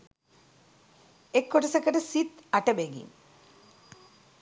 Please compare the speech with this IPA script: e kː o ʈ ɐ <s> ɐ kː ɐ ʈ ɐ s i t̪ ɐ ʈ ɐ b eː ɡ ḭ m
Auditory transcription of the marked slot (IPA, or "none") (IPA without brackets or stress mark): s